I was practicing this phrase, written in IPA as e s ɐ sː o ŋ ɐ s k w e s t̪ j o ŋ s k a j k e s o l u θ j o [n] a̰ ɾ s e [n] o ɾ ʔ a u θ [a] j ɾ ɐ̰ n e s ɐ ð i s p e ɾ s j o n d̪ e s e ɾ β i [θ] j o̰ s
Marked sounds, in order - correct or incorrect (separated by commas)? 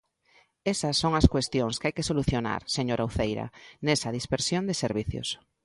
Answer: correct, incorrect, incorrect, correct